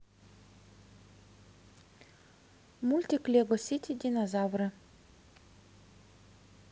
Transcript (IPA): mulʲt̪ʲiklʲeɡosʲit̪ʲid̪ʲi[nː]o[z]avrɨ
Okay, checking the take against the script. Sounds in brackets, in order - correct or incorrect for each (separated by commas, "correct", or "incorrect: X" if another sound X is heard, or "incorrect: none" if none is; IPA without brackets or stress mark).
incorrect: n, correct